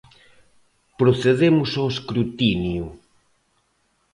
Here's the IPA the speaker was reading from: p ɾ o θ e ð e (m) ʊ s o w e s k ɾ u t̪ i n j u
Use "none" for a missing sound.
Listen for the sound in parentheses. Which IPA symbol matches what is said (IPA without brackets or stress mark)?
m